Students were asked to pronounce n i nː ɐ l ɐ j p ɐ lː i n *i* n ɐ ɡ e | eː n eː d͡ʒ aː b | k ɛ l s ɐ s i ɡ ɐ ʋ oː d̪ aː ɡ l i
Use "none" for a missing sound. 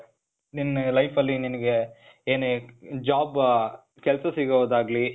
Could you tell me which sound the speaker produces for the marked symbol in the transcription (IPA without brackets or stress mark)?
i